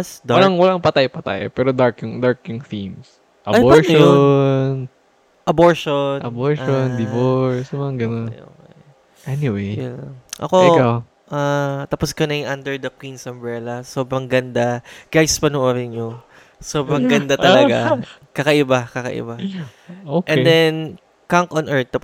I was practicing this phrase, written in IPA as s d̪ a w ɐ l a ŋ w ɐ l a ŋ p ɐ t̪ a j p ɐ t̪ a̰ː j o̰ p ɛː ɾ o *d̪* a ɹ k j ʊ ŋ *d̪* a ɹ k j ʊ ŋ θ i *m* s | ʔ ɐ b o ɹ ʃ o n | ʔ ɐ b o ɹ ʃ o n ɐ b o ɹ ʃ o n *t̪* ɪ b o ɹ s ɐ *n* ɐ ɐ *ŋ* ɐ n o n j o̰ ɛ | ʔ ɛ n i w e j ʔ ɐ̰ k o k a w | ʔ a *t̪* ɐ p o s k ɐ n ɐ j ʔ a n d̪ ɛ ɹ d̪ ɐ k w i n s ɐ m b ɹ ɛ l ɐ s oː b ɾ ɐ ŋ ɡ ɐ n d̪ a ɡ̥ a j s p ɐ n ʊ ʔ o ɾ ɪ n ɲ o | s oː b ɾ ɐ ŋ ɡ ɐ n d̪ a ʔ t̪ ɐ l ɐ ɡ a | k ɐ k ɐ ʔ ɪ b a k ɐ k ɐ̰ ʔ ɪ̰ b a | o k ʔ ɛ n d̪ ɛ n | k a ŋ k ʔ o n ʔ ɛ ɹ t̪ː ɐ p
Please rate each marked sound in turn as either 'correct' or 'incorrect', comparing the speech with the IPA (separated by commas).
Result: correct, correct, correct, incorrect, incorrect, incorrect, correct